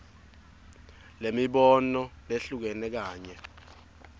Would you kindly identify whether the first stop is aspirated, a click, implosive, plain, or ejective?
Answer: implosive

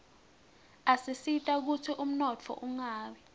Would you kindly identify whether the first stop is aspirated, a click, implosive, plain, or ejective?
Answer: ejective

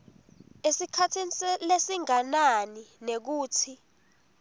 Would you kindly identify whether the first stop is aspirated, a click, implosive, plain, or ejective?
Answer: aspirated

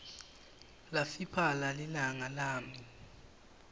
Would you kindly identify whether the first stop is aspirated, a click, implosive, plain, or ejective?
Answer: aspirated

